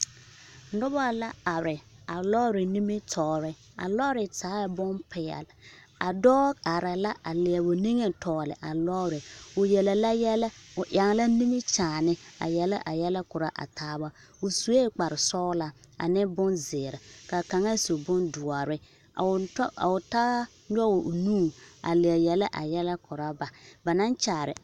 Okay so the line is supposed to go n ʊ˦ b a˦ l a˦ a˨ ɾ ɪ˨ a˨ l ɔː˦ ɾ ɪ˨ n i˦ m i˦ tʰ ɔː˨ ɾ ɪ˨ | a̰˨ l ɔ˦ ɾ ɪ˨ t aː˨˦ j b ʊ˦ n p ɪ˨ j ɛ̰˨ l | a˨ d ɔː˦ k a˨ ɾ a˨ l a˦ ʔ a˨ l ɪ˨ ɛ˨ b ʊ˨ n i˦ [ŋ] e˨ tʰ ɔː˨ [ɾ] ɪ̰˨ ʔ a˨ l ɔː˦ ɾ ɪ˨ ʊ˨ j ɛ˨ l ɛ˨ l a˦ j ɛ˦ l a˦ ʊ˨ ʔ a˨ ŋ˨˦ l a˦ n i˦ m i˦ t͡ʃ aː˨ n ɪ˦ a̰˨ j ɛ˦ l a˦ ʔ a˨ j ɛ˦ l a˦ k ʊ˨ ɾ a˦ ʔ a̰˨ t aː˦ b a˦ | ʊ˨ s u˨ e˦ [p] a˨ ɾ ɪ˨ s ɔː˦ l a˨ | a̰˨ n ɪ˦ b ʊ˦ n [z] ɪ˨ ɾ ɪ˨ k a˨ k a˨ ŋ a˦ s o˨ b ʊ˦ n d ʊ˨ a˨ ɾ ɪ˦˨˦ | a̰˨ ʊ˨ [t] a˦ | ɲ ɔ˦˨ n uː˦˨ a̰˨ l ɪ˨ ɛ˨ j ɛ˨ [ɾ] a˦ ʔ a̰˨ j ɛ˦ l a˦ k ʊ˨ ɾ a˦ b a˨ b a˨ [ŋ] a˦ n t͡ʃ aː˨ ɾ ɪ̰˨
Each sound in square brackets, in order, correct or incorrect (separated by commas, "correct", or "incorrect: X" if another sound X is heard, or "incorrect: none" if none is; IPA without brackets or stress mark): correct, incorrect: l, incorrect: k͡p, correct, correct, incorrect: l, incorrect: n